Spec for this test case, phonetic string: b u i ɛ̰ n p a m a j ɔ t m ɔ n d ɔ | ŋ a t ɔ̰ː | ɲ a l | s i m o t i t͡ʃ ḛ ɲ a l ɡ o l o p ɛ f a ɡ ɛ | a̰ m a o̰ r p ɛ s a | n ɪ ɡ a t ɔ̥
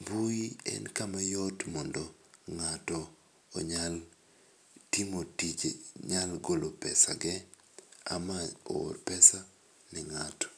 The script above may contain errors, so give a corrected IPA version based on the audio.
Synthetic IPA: b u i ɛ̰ n k a m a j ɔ t m ɔ n d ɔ | ŋ a t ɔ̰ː | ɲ a l | t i m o t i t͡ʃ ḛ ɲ a l ɡ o l o p ɛ s a ɡ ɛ | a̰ m a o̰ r p ɛ s a | n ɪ ŋ a t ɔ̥

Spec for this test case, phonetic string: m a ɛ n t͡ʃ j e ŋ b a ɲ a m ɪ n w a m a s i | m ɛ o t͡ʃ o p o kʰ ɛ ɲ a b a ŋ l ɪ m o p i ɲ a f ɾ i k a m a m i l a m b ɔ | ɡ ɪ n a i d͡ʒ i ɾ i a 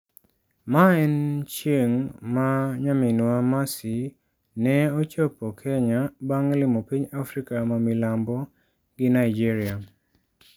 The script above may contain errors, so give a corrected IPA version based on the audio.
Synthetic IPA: m a ɛ n t͡ʃ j e ŋ m a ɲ a m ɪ n w a m a s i | n ɛ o t͡ʃ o p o kʰ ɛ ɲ a b a ŋ l ɪ m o p i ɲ a f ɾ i k a m a m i l a m b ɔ | ɡ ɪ n a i d͡ʒ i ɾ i a

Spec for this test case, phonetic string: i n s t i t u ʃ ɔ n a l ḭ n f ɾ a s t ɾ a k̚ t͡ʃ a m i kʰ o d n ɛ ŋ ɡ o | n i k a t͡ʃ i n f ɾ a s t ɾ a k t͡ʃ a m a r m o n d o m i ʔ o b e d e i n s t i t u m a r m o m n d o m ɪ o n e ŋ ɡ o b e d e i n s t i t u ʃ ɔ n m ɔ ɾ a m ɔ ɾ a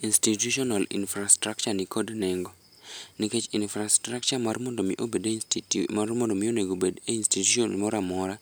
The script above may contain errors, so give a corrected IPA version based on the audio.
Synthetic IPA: i n s t i t u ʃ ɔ n a l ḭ n f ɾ a s t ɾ a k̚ t͡ʃ a n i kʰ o d n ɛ ŋ ɡ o | n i k e t͡ʃ i n f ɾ a s t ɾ a k t͡ʃ a m a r m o n d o m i ʔ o b e d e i n s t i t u m a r m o n d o m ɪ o n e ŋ ɡ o b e d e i n s t i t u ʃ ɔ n m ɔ ɾ a m ɔ ɾ a

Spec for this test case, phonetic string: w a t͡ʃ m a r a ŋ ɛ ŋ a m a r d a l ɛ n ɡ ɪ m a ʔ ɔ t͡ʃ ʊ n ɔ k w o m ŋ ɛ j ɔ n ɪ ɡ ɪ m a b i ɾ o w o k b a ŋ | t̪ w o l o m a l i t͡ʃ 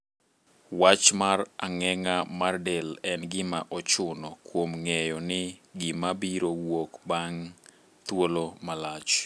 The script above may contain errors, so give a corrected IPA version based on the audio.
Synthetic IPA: w a t͡ʃ m a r a ŋ ɛ ŋ a m a r d ɛ l ɛ n ɡ ɪ m a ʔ ɔ t͡ʃ ʊ n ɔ k w o m ŋ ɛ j ɔ n ɪ ɡ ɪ m a b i ɾ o w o k b a ŋ | t̪ w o l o m a l a t͡ʃ

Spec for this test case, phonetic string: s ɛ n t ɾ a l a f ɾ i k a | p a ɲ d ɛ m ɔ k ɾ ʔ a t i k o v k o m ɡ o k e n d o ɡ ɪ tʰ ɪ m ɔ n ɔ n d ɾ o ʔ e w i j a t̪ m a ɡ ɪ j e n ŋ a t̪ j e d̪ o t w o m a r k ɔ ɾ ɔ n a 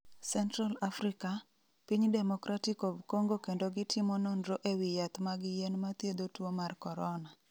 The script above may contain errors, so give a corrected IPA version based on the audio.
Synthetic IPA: s ɛ n t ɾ a l a f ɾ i k a | p i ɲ d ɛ m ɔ k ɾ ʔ a t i k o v k o ŋ ɡ o k e n d o ɡ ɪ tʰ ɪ m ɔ n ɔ n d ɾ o ʔ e w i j a t̪ m a ɡ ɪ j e n m a t̪ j e d̪ o t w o m a r k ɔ ɾ ɔ n a

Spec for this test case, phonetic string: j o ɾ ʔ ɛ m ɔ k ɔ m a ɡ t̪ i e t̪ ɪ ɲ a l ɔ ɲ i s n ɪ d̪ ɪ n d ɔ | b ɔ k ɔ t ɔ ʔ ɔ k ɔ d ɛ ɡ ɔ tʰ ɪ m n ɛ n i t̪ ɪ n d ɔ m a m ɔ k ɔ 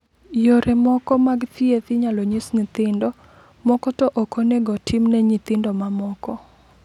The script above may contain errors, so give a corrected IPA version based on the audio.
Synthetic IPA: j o ɾ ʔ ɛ m ɔ k ɔ m a ɡ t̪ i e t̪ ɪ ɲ a l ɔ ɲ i s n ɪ t̪ ɪ n d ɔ | m ɔ k ɔ t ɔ ʔ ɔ k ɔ n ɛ ɡ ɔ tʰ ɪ m n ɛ ɲ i t̪ ɪ n d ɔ m a m ɔ k ɔ

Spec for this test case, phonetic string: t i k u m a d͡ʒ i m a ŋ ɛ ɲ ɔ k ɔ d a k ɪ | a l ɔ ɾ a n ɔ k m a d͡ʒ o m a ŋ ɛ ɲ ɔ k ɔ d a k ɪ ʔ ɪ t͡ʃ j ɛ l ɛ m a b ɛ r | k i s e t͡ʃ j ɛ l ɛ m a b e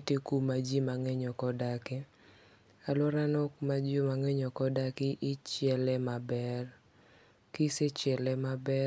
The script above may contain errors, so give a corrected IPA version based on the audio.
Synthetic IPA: t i k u m a d͡ʒ i m a ŋ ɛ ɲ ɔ k ɔ d a k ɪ | a l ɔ ɾ a n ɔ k m a d͡ʒ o m a ŋ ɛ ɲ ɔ k ɔ d a k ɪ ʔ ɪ t͡ʃ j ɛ l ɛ m a b ɛ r | k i s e t͡ʃ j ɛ l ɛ m a b ɛ

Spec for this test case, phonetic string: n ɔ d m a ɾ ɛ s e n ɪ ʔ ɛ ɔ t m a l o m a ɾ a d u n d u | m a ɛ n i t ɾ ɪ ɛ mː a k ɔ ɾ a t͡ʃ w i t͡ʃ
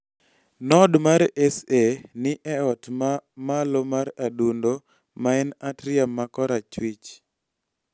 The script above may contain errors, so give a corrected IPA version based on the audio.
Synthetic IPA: n ɔ d m a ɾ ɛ s e n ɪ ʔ ɛ ɔ t m a l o m a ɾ a d u n d o | m a ɛ n a t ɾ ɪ a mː a k ɔ ɾ a t͡ʃ w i t͡ʃ

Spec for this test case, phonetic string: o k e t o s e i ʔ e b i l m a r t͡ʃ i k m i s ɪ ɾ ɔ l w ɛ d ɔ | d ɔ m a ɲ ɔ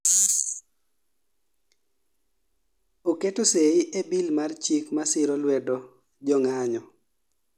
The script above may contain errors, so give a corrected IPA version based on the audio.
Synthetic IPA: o k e t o s e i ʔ e b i l m a r t͡ʃ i k m a s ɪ ɾ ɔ l w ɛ d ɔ | d͡ʒ ɔ ŋ a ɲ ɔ

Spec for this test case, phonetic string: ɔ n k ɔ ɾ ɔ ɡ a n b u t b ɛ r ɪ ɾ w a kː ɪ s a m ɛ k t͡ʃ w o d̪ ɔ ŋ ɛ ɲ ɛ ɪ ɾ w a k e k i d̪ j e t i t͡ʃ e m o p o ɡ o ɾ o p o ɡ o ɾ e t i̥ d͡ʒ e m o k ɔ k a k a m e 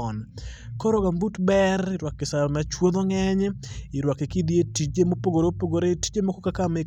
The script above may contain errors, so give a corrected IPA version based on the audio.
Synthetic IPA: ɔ n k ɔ ɾ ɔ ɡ a m b u t b ɛ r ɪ ɾ w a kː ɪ s a m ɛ t͡ʃ w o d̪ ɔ ŋ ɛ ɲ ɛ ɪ ɾ w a k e k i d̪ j e t i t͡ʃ e m o p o ɡ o ɾ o p o ɡ o ɾ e t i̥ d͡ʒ e m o k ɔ k a k a m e

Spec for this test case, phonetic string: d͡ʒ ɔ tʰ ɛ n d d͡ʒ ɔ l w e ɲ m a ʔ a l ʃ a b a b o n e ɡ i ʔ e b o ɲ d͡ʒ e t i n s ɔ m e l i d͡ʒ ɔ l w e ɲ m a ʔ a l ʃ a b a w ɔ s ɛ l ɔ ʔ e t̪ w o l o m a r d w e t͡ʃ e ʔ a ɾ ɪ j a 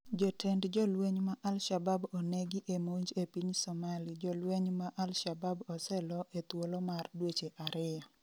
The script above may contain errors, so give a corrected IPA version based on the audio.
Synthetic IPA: d͡ʒ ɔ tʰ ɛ n d d͡ʒ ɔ l w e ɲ m a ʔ a l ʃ a b a b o n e ɡ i ʔ e m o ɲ d͡ʒ e p i ɲ s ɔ m a l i d͡ʒ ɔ l w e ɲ m a ʔ a l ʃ a b a b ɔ s ɛ l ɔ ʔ e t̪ w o l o m a r d w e t͡ʃ e ʔ a ɾ ɪ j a

